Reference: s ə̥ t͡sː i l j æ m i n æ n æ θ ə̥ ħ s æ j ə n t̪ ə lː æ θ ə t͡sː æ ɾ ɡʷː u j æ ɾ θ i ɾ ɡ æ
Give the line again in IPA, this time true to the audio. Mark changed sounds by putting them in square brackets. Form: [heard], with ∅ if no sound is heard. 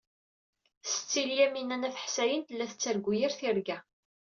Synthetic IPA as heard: s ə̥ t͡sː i l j æ m i n æ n æ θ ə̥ ħ s æ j ə n t̪ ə lː æ θ ə t͡sː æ ɾ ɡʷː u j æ ɾ θ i ɾ ɡ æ